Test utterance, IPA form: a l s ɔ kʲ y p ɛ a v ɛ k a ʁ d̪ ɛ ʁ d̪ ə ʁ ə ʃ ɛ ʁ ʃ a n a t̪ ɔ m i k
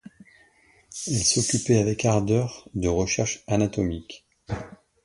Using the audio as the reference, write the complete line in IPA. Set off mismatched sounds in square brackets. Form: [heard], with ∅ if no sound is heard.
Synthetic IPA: [ɛ] l s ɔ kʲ y p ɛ a v ɛ k a ʁ d̪ [œ] ʁ d̪ ə ʁ ə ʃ ɛ ʁ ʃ a n a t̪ ɔ m i k